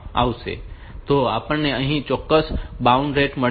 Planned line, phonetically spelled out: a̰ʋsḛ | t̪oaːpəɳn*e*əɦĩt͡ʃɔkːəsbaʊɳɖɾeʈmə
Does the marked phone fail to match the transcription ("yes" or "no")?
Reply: no